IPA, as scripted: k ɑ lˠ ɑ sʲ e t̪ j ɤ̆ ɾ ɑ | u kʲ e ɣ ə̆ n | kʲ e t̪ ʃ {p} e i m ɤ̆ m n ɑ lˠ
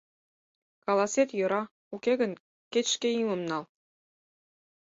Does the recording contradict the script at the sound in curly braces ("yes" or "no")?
yes